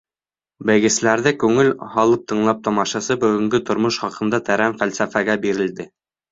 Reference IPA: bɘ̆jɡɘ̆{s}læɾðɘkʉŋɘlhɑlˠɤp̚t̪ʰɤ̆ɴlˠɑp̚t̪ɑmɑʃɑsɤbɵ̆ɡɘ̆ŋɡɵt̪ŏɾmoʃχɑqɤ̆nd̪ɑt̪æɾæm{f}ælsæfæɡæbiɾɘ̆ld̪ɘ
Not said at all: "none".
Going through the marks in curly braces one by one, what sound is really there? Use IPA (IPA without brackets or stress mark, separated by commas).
s, f